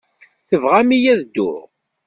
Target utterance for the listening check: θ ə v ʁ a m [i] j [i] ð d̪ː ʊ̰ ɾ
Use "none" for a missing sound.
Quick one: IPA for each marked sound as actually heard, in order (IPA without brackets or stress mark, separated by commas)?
i, æ